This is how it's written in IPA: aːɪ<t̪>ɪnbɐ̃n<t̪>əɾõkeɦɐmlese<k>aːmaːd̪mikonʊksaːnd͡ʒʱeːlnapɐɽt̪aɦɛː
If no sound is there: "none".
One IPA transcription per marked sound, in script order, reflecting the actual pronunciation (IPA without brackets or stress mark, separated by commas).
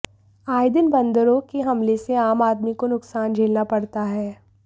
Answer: d̪, d̪, none